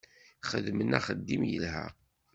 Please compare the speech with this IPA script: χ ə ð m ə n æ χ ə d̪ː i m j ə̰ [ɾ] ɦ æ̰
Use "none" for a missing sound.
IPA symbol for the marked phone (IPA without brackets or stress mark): l